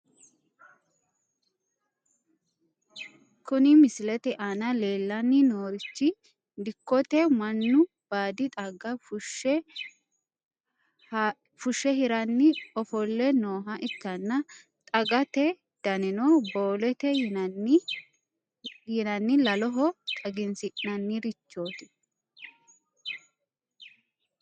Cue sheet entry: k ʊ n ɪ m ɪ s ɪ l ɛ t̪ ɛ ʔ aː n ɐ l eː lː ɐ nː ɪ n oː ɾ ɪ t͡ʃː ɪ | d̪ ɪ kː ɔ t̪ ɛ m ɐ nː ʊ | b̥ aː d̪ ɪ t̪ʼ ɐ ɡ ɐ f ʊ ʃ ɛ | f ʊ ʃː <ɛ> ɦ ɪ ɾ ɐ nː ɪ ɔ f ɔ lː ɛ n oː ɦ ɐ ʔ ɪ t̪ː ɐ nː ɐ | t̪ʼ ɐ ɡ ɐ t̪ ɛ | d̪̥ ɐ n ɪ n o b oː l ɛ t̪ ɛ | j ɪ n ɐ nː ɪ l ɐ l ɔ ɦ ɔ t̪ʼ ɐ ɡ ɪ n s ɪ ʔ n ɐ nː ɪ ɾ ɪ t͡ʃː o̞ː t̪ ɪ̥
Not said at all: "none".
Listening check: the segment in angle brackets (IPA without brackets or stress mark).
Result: ɛ